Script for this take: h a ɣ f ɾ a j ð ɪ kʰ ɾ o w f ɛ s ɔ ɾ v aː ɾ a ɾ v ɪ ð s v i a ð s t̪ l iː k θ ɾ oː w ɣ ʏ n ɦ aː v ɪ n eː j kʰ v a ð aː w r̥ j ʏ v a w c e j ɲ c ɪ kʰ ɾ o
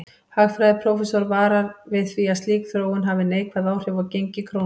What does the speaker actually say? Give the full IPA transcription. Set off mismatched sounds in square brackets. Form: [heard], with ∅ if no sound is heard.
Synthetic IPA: h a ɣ f ɾ a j ð ɪ [pʰ] ɾ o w f ɛ s ɔ ɾ v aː ɾ a ɾ v ɪ ð [θ] v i a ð s t̪ l iː k θ ɾ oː w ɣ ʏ n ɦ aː v ɪ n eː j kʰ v a ð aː w r̥ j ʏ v a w c e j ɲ c ɪ kʰ ɾ o

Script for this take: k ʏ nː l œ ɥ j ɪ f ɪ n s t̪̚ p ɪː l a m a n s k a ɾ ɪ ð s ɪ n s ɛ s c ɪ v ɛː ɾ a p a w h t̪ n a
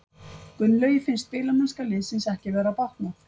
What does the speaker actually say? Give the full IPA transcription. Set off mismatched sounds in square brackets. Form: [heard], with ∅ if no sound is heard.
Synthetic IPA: k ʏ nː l œ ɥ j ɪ f ɪ n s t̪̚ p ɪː l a m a n s k a [l] ɪ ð s ɪ n s ɛ [h] c ɪ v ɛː ɾ a p a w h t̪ n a

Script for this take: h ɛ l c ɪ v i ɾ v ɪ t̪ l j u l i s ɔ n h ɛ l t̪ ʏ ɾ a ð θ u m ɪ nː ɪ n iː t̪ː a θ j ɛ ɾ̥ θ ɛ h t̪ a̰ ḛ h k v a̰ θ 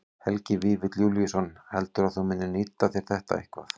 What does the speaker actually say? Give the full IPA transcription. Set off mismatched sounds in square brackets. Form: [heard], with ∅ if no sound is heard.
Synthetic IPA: h ɛ l c ɪ v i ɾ v ɪ t̪ l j u l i s ɔ n h ɛ l t̪ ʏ ɾ a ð θ u m ɪ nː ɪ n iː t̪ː a θ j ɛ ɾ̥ θ ɛ h t̪ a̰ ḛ h k v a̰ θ

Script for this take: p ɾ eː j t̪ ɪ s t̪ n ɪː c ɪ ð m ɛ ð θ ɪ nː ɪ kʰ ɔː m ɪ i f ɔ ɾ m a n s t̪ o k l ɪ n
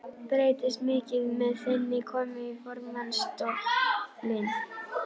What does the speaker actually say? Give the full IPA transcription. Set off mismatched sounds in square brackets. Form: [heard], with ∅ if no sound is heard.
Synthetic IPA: p ɾ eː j t̪ ɪ s t̪ [m] ɪː c ɪ ð m ɛ ð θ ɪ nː ɪ kʰ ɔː m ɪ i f ɔ ɾ m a n s t̪ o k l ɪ n

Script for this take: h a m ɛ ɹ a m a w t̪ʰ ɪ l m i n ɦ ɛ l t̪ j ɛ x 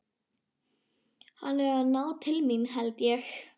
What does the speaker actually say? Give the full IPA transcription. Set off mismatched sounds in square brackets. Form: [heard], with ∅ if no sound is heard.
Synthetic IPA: h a [n] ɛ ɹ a [n] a w t̪ʰ ɪ l m i n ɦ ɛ l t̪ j ɛ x

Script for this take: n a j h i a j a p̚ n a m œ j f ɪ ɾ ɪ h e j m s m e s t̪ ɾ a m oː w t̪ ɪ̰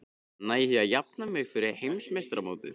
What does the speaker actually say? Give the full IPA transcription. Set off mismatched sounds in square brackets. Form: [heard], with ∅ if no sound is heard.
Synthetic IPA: n a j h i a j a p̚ n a m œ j f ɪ ɾ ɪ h e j m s m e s t̪ ɾ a m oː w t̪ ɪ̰

